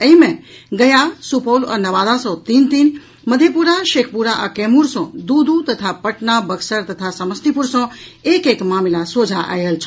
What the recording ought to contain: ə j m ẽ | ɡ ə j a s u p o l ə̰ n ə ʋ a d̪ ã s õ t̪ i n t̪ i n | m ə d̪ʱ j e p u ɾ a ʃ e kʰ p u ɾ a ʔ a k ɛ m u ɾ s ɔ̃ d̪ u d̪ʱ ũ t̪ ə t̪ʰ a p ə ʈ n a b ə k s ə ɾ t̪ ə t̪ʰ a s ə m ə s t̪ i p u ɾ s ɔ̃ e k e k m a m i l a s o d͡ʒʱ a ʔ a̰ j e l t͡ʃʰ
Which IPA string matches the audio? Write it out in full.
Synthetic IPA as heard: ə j m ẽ | ɡ ə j a s u p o l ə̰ n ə ʋ a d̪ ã s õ t̪ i n t̪ i n | m ə d̪ʱ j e p u ɾ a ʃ e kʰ p u ɾ a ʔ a k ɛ m u ɾ s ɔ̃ d̪ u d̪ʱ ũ t̪ ə t̪ʰ a p ə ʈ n a b ə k s ə ɾ t̪ ə t̪ʰ a s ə m ə s t̪ i p u ɾ s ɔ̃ e k e k m a m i l a s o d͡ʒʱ a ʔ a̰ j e l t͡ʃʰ